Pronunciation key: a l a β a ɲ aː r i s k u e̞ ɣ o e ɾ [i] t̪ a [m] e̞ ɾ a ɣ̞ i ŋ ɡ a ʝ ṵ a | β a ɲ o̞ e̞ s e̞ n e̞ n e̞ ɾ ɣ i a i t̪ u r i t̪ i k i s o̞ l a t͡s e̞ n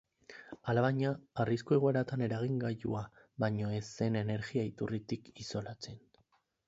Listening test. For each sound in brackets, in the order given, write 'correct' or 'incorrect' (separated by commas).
incorrect, incorrect